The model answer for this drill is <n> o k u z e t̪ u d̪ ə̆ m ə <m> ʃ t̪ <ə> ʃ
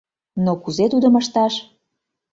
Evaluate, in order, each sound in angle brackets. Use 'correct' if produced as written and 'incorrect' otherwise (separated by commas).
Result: correct, incorrect, incorrect